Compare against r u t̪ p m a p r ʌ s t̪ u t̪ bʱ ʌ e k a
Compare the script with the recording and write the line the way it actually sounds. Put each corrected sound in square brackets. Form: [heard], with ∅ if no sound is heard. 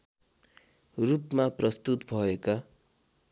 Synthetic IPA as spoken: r u [∅] p m a p r ʌ s t̪ u t̪ bʱ ʌ e k a